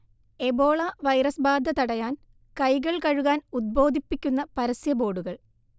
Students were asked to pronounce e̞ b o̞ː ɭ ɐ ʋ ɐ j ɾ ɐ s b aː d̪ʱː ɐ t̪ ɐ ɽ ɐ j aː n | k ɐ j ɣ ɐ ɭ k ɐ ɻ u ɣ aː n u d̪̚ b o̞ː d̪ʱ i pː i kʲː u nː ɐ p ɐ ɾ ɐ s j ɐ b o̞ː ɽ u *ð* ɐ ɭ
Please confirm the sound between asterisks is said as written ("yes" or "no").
no